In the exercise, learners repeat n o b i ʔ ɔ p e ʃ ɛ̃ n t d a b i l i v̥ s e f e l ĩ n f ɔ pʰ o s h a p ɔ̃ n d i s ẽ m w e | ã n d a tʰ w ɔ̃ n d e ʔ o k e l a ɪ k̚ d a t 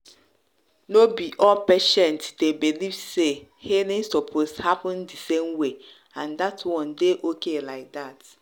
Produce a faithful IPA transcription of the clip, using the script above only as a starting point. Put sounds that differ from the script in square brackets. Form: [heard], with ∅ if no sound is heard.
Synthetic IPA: n o b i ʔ ɔ p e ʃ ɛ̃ n t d [e] b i l i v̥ s e [h] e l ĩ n [s] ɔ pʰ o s h a p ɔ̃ n d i s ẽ m w e | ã n d a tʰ w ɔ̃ n d e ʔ o k e l a ɪ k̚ d a t